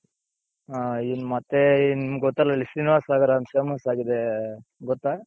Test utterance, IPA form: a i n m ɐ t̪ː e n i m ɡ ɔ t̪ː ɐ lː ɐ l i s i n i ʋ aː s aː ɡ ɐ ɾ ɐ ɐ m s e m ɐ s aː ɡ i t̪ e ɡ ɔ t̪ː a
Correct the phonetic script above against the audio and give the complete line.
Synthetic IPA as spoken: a i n m ɐ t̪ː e n i m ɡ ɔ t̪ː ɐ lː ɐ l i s i n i ʋ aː s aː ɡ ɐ ɾ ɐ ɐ m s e m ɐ s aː ɡ i d̪ e ɡ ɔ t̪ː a